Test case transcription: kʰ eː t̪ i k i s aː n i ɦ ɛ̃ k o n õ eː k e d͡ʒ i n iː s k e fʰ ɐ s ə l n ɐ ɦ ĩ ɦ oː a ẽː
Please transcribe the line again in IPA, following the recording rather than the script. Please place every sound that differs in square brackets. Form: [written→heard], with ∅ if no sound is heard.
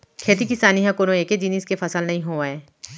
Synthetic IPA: kʰ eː t̪ i k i s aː n i ɦ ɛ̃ k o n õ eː k e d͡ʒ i n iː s k e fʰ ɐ s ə l n ɐ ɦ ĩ ɦ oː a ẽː